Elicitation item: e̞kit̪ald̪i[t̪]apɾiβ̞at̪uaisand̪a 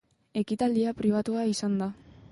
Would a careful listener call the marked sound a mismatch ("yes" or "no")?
yes